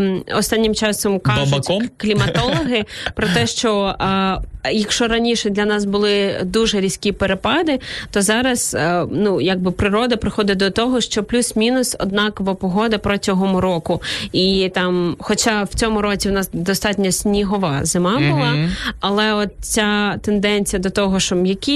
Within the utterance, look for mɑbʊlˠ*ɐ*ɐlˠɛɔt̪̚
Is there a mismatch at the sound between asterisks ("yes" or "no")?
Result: yes